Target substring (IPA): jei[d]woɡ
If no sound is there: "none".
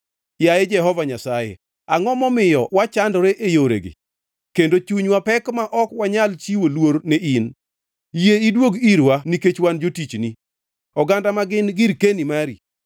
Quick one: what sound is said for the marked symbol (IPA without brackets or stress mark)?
d